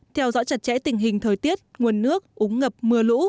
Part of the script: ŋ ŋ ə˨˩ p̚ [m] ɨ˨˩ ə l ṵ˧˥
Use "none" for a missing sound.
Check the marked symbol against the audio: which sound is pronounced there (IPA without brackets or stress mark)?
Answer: m